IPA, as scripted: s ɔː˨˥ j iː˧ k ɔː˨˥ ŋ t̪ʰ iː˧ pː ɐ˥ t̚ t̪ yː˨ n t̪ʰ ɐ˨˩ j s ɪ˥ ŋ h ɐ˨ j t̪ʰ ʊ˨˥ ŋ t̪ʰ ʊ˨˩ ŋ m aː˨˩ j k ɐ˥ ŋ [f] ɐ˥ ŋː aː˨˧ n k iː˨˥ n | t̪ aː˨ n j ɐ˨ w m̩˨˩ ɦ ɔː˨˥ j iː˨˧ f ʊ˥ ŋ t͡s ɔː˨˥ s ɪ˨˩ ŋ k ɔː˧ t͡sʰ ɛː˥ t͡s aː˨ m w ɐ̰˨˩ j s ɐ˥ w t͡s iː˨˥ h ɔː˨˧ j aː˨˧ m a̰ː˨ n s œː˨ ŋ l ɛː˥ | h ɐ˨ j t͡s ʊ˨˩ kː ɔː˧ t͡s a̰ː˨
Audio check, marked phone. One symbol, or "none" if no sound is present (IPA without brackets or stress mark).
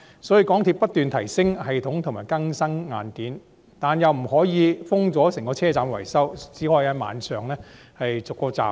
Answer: s